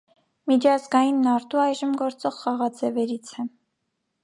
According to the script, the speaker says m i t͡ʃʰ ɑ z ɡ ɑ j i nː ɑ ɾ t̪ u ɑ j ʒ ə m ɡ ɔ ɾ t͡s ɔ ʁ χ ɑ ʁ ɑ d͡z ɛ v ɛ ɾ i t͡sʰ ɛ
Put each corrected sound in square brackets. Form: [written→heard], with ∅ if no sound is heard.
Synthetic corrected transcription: m i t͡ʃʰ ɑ z ɡ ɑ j i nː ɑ ɾ t̪ u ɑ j ʒ ə m ɡ ɔ ɾ t͡s ɔ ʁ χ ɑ ʁ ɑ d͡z ɛ v ɛ ɾ i t͡sʰ ɛ